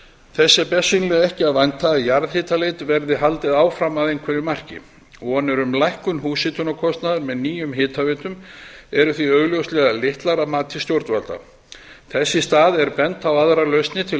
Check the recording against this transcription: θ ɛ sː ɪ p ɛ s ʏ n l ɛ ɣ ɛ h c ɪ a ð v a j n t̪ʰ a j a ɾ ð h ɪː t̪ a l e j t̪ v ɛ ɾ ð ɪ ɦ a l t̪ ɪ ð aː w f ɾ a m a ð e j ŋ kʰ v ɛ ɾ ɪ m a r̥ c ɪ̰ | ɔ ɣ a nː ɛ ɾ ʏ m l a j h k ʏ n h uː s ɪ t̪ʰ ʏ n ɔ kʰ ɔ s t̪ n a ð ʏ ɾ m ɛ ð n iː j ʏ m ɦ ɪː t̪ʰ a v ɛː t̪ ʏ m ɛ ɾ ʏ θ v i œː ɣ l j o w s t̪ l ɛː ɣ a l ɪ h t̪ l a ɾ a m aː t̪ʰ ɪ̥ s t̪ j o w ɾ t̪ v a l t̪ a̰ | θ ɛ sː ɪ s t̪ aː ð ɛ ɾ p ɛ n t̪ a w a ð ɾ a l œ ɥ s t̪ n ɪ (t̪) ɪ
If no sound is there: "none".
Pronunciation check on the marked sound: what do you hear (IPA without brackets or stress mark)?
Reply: t̪ʰ